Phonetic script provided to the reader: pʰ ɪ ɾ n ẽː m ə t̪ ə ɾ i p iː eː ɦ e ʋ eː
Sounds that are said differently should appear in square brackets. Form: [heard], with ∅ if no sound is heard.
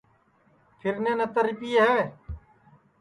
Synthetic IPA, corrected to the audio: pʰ ɪ ɾ n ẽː [n] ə t̪ ə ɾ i p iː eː ɦ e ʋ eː